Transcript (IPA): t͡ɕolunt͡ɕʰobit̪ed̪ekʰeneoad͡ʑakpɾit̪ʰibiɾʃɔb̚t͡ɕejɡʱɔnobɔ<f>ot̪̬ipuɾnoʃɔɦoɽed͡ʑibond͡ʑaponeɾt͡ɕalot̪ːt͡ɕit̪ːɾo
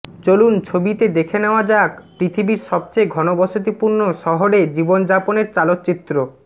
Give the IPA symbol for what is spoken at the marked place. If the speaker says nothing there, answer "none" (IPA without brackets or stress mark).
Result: ʃ